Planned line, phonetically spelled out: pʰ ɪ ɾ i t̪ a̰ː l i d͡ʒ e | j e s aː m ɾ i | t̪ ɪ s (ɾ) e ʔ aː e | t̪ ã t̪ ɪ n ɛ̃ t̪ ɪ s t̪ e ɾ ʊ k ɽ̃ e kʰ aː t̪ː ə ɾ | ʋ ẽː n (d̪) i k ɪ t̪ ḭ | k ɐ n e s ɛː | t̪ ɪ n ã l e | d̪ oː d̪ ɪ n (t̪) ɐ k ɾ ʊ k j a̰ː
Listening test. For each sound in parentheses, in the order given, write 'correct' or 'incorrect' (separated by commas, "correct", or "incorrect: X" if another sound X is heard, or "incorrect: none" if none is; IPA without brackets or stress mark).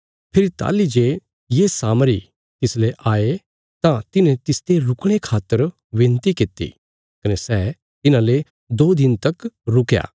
incorrect: l, incorrect: t̪, correct